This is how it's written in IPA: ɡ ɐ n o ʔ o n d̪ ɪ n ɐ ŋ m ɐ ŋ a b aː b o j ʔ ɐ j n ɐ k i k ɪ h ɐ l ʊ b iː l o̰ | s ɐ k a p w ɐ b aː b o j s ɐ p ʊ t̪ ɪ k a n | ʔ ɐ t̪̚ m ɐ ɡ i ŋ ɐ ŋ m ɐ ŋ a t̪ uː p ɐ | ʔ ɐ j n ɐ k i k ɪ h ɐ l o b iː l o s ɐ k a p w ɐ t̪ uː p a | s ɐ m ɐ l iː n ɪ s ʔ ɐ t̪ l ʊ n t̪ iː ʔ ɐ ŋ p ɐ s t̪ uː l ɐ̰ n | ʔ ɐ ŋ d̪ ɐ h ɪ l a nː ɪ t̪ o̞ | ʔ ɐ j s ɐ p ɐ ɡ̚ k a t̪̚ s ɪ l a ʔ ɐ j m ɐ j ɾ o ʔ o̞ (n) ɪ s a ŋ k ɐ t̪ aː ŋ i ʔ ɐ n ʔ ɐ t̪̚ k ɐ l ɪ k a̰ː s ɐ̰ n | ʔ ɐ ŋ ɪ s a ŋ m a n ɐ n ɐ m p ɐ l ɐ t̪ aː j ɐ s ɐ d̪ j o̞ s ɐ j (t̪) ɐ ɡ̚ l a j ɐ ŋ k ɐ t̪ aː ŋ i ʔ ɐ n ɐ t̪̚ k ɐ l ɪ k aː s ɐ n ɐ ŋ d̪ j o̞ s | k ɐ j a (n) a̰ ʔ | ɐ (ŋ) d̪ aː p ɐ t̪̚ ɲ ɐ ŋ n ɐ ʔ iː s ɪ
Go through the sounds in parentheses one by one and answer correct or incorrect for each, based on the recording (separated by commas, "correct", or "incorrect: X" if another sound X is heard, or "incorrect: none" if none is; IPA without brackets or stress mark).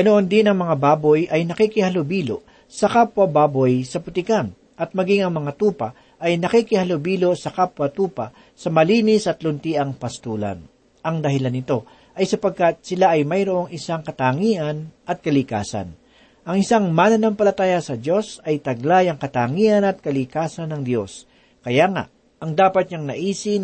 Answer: incorrect: ŋ, correct, incorrect: ŋ, correct